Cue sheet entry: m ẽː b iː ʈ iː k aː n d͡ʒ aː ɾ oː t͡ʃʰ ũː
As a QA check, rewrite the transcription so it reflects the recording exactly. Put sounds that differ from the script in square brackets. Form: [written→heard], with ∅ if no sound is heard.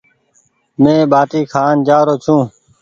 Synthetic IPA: m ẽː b [iː→aː] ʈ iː [k→kʰ] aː n d͡ʒ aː ɾ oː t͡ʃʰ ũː